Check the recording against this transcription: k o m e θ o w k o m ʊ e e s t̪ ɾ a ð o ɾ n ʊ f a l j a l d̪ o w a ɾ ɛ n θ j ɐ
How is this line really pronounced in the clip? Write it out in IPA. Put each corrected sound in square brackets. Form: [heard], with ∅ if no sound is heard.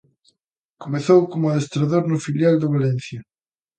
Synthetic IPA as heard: k o m e θ o w k o m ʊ [a] e s t̪ ɾ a ð o ɾ n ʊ f [i] l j a l d̪ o [β] a [l] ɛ n θ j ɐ